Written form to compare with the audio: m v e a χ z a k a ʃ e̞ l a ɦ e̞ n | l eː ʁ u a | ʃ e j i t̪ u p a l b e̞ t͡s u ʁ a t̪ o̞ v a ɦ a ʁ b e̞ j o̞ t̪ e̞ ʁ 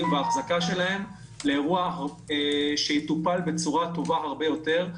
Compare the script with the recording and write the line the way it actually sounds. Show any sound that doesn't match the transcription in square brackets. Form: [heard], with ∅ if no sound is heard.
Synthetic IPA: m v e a χ z a k a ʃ e̞ l a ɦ e̞ [m] | l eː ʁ u a | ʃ e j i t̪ u p a l b e̞ t͡s u ʁ a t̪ o̞ v a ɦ a ʁ b e̞ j o̞ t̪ e̞ ʁ